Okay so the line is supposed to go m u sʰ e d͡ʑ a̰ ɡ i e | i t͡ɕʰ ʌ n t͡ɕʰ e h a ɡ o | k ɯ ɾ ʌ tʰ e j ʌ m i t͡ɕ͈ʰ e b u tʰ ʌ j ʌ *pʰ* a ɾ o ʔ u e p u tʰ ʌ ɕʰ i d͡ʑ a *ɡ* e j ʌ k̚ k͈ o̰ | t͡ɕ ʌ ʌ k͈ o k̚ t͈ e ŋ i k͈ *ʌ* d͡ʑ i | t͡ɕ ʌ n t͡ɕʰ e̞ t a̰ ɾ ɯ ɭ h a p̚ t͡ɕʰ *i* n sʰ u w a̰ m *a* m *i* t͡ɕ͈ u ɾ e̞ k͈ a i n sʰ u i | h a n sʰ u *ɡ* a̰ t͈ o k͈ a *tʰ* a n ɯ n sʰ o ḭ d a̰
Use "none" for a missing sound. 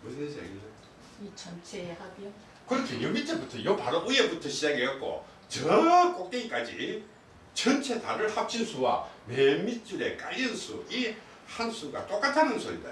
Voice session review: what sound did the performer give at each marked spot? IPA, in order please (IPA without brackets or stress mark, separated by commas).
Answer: p, ɡ, a, i, e, i, ɡ, tʰ